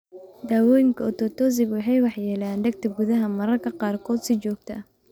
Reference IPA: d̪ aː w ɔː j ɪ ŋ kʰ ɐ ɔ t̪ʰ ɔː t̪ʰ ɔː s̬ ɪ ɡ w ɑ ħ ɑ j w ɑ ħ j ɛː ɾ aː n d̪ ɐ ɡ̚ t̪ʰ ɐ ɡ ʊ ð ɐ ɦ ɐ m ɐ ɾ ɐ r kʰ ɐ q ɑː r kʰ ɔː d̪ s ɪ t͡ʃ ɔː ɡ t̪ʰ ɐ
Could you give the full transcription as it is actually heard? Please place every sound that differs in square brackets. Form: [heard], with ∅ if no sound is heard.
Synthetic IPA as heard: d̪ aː w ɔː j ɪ ŋ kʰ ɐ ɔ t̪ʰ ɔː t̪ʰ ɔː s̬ ɪ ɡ w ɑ ħ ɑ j w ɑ ħ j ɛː [l] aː n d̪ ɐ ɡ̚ t̪ʰ ɐ ɡ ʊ ð ɐ ɦ ɐ m ɐ ɾ ɐ r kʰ ɐ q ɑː r kʰ ɔː d̪ s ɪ t͡ʃ ɔː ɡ t̪ʰ ɐ